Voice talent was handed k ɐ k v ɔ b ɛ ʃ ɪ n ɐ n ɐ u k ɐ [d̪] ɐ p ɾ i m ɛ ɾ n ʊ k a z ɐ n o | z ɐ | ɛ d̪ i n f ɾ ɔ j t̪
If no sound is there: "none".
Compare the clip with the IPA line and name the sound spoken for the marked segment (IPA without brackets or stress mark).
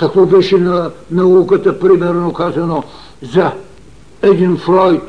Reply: t̪